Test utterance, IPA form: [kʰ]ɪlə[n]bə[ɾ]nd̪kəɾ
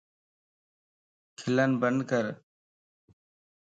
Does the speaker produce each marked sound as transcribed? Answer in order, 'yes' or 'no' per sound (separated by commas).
yes, yes, no